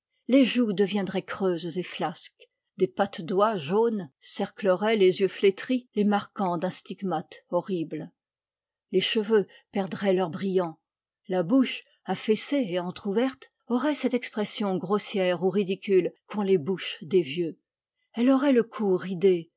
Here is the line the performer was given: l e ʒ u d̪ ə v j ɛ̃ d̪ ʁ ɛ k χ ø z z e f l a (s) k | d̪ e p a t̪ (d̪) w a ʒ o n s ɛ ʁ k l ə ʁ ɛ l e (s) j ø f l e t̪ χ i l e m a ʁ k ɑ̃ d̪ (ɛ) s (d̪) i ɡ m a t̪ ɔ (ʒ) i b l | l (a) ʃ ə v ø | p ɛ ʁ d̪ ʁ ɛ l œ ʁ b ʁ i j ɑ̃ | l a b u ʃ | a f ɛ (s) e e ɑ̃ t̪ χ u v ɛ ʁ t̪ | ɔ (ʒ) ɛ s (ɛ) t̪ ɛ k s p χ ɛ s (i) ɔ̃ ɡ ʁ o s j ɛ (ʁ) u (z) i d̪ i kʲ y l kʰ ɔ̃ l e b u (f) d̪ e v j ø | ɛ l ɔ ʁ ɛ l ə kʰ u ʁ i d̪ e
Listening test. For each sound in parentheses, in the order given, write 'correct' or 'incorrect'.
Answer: correct, correct, incorrect: z, incorrect: ɛ̃, incorrect: t̪, incorrect: ʁ, incorrect: e, correct, incorrect: ʁ, correct, incorrect: j, correct, incorrect: ʁ, incorrect: ʃ

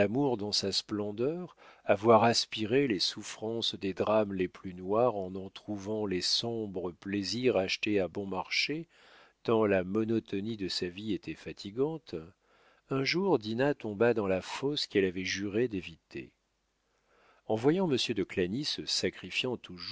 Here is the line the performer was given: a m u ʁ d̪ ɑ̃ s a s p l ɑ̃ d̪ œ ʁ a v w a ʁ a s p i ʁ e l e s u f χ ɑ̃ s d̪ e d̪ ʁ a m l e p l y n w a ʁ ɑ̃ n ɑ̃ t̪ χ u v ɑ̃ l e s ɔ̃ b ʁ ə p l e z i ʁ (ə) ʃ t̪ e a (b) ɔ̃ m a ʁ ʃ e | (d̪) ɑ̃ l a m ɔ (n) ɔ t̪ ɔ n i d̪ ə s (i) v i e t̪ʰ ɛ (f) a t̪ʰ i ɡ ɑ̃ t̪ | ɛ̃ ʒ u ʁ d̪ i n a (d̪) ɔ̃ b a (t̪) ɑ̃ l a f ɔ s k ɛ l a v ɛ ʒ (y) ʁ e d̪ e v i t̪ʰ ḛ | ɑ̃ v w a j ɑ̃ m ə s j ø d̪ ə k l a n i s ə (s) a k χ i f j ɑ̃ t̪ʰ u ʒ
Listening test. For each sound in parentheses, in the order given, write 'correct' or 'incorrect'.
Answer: incorrect: a, correct, incorrect: t̪, correct, incorrect: a, correct, incorrect: t̪, incorrect: d̪, correct, correct

